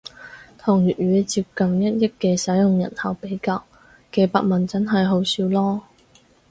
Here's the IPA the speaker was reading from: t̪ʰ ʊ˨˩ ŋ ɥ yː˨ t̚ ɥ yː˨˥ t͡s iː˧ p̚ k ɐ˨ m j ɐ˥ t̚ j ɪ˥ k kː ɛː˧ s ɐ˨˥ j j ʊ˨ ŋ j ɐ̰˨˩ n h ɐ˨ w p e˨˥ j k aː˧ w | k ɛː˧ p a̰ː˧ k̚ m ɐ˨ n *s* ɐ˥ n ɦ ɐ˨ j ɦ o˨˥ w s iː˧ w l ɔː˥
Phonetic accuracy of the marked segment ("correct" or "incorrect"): incorrect